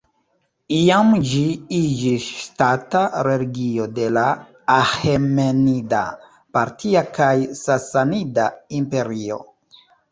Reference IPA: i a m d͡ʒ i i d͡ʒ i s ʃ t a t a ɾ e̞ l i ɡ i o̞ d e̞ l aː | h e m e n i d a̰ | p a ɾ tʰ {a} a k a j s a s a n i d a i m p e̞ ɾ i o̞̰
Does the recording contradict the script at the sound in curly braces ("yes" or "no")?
yes